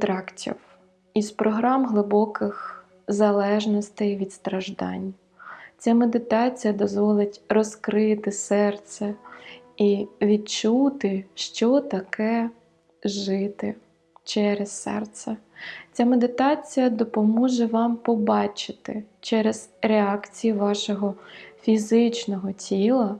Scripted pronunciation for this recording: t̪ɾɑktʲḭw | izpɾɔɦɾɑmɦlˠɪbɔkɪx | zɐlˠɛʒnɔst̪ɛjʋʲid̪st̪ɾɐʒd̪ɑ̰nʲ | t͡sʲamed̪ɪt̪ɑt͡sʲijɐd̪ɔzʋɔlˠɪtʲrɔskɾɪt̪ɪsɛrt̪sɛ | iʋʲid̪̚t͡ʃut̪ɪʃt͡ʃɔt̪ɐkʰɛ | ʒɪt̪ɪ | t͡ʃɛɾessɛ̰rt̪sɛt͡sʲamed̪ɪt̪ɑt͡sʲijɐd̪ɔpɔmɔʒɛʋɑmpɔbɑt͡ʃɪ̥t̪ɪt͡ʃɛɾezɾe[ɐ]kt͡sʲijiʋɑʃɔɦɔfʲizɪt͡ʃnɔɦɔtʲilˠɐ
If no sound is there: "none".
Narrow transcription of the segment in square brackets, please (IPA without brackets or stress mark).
ɑ